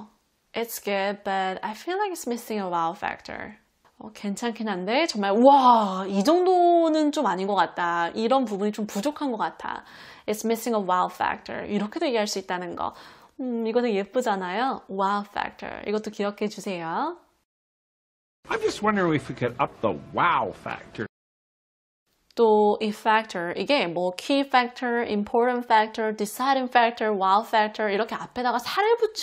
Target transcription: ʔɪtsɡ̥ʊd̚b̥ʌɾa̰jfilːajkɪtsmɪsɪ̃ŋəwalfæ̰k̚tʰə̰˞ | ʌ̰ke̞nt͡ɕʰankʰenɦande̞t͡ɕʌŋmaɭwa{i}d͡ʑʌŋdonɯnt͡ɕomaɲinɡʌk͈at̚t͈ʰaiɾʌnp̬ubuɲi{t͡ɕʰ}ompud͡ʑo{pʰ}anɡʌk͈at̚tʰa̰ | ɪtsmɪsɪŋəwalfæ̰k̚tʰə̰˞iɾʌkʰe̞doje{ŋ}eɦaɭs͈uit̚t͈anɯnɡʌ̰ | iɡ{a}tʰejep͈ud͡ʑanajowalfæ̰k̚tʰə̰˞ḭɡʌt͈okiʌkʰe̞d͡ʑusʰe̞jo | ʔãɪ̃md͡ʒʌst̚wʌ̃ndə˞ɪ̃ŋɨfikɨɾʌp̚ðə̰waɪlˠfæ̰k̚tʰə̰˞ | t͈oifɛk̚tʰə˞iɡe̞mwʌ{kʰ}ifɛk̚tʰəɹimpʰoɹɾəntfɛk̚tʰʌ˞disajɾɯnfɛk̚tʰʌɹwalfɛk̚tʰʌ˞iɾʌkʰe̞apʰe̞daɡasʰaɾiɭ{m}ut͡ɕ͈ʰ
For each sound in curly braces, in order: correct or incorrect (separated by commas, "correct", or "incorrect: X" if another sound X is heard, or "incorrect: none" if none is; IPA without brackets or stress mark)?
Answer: correct, incorrect: t͡ɕ, incorrect: kʰ, incorrect: ɡ, incorrect: ʌ, correct, incorrect: b